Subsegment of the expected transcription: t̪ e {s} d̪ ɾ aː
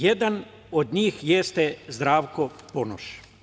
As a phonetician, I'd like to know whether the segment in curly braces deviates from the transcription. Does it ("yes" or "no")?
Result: yes